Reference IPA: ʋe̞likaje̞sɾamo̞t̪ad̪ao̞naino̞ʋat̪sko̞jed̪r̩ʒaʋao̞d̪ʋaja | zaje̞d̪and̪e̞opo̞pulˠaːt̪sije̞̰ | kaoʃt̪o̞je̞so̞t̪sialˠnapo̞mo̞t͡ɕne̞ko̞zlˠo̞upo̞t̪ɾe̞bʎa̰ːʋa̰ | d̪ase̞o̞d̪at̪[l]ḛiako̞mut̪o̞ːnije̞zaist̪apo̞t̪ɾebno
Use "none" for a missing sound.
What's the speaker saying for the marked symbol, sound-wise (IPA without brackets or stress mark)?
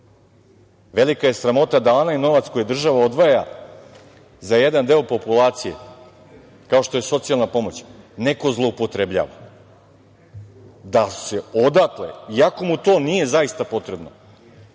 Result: l